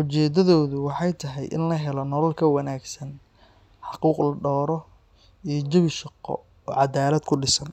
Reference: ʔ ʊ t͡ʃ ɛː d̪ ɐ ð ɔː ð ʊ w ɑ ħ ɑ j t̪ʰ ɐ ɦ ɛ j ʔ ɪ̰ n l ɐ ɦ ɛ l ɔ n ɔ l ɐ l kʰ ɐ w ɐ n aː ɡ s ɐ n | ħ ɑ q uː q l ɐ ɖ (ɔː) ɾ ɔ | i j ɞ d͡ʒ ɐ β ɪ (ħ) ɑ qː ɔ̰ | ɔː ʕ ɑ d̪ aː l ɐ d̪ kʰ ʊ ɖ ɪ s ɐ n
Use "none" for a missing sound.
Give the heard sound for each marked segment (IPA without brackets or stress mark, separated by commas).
ɔː, ʃ